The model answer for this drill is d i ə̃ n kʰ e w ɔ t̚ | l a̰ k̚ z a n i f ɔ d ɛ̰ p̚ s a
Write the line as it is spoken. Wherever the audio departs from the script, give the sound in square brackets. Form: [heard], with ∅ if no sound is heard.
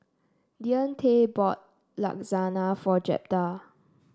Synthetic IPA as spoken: d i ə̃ n [tʰ] e [b] ɔ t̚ | l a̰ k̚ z a n [a] f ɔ [d͡ʒ] ɛ̰ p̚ [t] a